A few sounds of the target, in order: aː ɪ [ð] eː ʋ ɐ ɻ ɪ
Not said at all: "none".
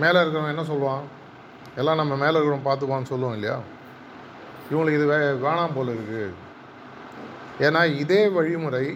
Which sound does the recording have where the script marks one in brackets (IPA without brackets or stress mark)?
ð